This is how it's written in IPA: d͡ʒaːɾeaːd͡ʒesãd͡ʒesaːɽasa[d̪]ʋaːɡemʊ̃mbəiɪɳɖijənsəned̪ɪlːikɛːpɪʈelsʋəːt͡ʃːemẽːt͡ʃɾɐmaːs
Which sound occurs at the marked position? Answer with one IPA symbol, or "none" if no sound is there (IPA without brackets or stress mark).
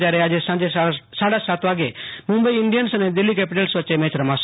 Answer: t̪